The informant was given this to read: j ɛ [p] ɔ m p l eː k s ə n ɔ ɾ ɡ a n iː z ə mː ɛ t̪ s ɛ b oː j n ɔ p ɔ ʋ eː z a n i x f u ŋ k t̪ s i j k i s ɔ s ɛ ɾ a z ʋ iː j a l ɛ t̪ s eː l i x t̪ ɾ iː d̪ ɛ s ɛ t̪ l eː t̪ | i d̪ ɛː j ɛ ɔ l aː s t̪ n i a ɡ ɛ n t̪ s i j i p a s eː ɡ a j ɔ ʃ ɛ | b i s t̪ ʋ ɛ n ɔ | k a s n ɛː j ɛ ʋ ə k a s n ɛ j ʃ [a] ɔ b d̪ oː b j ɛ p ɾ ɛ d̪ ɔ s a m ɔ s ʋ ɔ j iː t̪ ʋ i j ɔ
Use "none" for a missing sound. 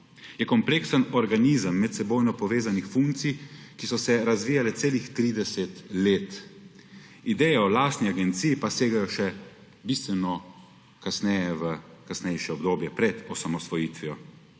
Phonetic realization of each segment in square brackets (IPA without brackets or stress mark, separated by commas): k, ɛ